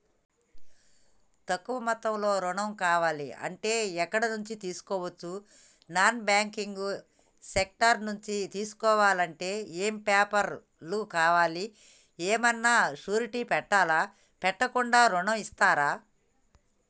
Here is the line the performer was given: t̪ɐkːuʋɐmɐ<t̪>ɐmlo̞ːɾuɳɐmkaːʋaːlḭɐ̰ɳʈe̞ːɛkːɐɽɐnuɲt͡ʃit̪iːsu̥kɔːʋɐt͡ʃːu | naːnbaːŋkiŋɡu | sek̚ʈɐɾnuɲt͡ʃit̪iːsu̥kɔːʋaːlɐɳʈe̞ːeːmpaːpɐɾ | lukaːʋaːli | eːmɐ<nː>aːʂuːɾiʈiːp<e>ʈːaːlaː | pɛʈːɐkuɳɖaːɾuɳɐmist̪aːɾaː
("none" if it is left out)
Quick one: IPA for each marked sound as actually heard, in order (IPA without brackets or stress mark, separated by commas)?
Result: t̪, nː, ɛ